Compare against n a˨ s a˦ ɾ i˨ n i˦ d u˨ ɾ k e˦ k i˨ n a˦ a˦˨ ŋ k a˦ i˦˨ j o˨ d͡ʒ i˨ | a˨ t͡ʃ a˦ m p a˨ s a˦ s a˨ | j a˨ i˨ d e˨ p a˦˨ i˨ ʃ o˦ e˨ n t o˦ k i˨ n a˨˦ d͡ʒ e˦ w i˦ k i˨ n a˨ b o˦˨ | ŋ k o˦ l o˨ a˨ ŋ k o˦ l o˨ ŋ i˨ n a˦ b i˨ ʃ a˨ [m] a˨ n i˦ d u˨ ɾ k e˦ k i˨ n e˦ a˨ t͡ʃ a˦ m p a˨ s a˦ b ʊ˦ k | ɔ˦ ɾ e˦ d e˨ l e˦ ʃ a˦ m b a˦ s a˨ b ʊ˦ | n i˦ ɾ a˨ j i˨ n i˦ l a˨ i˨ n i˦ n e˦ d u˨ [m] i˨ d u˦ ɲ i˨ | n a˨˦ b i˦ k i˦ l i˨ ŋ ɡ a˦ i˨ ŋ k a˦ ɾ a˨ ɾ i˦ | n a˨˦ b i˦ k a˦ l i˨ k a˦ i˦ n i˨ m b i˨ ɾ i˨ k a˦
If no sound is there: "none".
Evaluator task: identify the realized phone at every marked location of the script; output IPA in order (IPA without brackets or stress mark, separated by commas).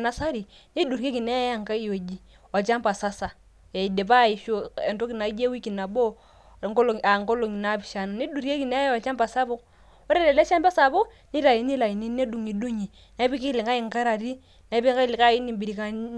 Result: n, ŋ